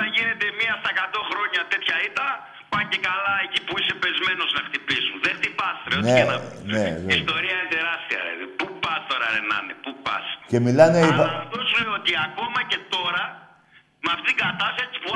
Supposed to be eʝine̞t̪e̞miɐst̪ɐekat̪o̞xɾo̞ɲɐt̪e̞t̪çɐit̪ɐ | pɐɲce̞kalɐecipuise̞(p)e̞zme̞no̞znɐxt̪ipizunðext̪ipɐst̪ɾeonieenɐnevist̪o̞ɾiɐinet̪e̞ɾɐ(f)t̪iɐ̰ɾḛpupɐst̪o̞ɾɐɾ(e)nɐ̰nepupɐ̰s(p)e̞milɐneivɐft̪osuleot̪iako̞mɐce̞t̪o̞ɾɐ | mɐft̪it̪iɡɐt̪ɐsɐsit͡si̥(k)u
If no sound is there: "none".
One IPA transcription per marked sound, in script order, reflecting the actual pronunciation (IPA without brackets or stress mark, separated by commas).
p, s, e, c, p